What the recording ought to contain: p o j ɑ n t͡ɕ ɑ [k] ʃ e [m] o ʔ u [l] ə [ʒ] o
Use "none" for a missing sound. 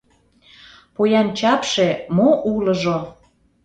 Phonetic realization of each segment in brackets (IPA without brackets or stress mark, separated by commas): p, m, l, ʒ